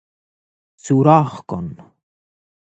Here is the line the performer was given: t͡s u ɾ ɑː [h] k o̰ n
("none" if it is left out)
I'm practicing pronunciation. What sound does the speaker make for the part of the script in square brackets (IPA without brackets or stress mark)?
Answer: χ